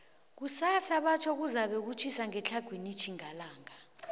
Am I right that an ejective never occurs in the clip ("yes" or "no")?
yes